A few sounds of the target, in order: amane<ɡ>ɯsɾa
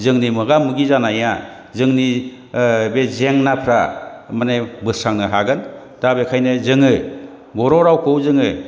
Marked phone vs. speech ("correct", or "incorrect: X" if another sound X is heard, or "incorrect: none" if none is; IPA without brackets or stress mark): incorrect: b